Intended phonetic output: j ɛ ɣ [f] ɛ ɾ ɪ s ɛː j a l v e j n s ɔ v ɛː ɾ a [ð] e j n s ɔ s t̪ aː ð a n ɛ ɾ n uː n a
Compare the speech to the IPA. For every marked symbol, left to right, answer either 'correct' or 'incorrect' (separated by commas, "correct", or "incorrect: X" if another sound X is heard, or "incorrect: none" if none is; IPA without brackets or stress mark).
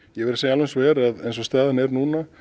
incorrect: v, correct